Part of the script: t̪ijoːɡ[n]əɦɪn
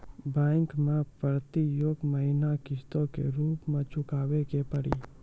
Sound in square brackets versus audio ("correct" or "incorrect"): incorrect